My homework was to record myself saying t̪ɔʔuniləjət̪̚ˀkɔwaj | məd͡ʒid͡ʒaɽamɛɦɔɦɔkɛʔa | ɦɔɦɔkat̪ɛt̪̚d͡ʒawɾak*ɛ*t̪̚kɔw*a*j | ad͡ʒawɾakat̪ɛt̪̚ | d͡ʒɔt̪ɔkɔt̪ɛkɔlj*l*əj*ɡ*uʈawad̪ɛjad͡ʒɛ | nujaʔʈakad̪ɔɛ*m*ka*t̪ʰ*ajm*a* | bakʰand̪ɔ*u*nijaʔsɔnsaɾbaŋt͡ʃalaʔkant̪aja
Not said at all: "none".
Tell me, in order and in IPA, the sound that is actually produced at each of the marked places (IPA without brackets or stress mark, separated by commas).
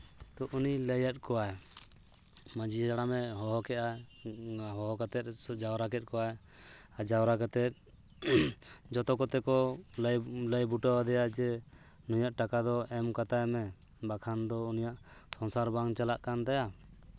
ɛ, a, l, b, m, t̪, ɛ, u